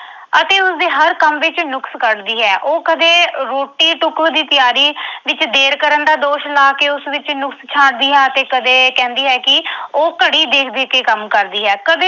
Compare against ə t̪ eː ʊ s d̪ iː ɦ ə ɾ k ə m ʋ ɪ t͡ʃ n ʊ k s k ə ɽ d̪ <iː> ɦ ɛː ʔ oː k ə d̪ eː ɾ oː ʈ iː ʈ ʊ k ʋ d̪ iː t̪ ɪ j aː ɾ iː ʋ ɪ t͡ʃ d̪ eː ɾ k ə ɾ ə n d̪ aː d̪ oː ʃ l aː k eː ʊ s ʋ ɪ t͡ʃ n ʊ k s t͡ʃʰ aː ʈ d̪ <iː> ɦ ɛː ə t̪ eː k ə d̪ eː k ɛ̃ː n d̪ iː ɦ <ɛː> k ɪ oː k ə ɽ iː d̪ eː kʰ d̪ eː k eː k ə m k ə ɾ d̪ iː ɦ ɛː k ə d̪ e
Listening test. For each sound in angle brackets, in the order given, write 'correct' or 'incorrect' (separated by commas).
correct, correct, correct